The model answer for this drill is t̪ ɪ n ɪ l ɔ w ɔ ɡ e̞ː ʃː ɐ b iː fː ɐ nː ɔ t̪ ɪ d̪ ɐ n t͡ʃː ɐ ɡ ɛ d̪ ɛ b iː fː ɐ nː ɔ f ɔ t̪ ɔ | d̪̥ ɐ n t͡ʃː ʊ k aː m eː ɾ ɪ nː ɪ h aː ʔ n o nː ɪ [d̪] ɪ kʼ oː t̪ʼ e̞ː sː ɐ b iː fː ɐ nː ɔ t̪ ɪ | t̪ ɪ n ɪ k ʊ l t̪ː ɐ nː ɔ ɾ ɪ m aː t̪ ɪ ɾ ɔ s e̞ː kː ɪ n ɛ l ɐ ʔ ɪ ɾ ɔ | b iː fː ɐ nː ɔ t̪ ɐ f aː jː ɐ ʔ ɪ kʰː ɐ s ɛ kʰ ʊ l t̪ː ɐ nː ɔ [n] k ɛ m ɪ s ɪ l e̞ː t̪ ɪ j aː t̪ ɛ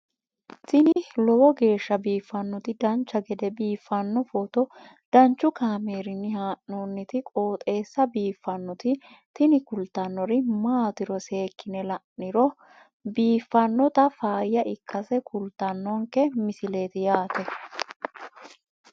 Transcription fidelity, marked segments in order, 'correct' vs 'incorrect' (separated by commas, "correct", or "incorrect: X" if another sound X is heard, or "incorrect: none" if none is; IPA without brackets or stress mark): incorrect: t̪, incorrect: ŋ